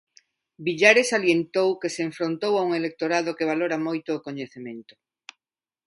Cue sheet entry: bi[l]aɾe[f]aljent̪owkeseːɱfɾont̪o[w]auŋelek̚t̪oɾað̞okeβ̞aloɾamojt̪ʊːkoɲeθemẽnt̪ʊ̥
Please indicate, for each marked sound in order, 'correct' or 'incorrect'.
incorrect: ʎ, incorrect: s, correct

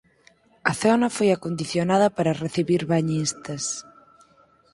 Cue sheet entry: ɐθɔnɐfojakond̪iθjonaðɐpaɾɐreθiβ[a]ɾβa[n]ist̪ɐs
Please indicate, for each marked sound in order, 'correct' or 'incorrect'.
incorrect: i, incorrect: ɲ

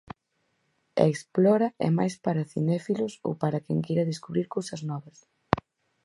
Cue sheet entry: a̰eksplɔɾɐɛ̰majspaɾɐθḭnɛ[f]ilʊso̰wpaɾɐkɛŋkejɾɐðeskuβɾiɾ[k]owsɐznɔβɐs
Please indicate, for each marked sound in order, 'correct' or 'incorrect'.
correct, correct

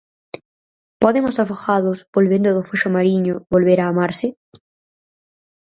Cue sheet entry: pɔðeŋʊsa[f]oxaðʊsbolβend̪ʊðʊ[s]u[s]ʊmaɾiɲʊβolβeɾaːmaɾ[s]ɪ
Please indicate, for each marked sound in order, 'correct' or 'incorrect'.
correct, incorrect: f, incorrect: ʃ, correct

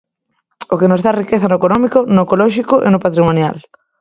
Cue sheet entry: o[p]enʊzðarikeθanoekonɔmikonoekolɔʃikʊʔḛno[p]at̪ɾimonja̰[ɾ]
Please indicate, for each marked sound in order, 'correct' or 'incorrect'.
incorrect: k, correct, incorrect: l

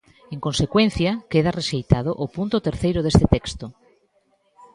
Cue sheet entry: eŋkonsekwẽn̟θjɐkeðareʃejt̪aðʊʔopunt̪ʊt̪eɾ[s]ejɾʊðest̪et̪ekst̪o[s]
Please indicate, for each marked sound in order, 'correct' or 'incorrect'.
incorrect: θ, incorrect: none

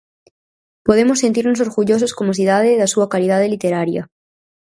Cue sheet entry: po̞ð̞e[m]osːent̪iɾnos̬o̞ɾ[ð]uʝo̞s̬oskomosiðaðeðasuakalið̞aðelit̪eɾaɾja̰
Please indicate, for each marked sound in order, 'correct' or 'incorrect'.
correct, incorrect: ɣ

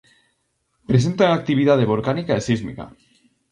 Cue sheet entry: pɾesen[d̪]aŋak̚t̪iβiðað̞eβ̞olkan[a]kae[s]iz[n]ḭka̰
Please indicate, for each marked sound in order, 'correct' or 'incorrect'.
incorrect: t̪, incorrect: i, correct, incorrect: m

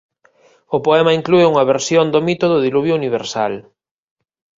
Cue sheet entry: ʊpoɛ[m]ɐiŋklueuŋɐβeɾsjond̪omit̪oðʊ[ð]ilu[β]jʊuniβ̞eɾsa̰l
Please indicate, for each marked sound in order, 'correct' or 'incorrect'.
correct, correct, correct

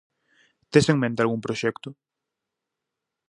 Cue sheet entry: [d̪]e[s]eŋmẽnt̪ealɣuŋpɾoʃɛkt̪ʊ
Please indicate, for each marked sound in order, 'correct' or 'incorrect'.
incorrect: t̪, correct

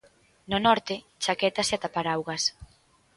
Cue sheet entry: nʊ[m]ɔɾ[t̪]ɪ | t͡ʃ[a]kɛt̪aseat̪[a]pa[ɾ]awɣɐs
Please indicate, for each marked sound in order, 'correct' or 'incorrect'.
incorrect: n, correct, correct, correct, correct

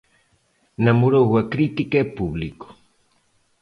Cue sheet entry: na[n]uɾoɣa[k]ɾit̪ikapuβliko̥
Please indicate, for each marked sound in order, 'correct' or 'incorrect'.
incorrect: m, correct

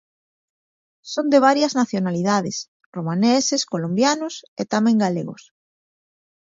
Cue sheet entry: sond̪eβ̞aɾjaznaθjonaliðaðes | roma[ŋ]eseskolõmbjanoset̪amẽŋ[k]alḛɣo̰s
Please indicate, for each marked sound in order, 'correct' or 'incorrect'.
incorrect: n, incorrect: ɡ

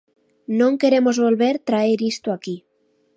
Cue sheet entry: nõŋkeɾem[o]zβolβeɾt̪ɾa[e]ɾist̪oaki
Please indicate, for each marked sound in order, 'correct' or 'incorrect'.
correct, correct

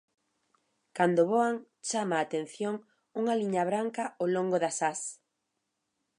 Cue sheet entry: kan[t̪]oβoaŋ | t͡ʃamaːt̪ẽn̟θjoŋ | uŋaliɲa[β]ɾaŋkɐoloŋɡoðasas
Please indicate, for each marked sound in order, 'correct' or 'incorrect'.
incorrect: d̪, correct

